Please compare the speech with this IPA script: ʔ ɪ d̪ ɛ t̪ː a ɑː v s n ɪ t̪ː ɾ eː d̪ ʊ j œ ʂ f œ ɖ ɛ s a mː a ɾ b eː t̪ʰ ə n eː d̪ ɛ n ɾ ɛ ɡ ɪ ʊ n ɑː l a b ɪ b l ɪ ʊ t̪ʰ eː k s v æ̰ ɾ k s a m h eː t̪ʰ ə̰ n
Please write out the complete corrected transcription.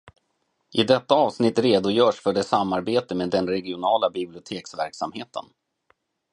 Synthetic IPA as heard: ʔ ɪ d̪ ɛ t̪ː a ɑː v s n ɪ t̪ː ɾ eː d̪ ʊ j œː ʂ f œ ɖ ɛ s a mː a ɾ b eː t̪ ə m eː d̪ ɛ n ɾ ɛ ɡ ɪ ʊ n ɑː l a b ɪ b l ɪ ʊ t̪ʰ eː k s v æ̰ ɾ k s a m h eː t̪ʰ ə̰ n